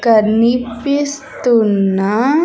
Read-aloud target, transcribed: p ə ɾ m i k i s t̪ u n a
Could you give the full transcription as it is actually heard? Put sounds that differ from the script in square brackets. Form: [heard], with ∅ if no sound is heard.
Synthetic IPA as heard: [k] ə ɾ [n] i [p] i s t̪ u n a